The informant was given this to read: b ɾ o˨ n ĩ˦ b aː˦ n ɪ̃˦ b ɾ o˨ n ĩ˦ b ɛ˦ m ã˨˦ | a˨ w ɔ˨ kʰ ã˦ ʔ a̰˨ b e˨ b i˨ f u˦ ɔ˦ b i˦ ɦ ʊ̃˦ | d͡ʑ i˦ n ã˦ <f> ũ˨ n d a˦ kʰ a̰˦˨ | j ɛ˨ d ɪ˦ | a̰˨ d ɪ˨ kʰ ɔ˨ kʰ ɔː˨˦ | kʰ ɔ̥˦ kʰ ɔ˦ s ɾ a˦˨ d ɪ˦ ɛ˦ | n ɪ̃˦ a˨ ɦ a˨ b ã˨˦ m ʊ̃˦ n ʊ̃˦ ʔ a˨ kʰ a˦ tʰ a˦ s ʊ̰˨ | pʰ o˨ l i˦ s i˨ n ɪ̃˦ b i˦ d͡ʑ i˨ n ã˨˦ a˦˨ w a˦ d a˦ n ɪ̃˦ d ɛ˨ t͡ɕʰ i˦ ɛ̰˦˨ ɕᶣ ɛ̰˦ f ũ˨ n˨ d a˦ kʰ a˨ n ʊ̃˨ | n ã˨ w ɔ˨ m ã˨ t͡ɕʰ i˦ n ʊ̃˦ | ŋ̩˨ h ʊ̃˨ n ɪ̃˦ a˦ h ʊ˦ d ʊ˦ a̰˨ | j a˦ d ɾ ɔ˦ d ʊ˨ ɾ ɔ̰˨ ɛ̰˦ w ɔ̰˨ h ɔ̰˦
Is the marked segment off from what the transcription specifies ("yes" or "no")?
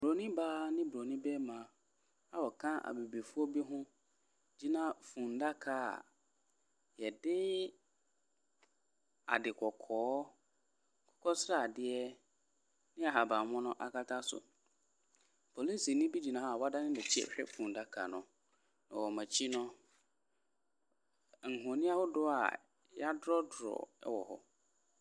no